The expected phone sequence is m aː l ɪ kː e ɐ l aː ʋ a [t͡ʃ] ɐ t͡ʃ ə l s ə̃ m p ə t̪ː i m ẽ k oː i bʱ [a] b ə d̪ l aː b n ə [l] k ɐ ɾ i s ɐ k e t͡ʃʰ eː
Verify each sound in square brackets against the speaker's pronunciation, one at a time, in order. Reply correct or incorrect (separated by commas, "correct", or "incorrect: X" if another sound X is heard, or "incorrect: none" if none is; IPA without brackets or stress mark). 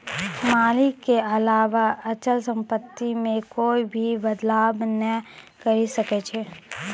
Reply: incorrect: none, incorrect: i, incorrect: none